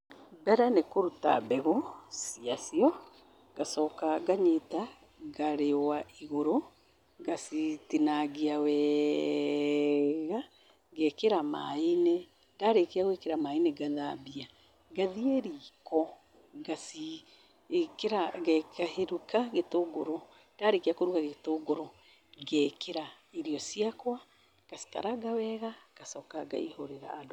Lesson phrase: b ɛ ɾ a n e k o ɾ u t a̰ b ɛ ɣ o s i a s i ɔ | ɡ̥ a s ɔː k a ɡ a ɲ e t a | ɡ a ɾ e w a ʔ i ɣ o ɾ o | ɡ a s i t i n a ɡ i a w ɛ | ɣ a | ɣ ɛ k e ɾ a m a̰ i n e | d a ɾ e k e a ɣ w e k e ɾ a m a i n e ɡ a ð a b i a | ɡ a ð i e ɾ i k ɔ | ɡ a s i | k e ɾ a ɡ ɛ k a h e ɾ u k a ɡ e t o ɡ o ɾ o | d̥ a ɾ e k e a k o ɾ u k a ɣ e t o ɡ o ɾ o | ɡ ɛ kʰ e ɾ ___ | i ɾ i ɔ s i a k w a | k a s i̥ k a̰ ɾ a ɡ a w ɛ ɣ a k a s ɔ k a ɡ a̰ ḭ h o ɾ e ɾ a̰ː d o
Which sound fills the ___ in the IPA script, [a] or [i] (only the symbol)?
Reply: a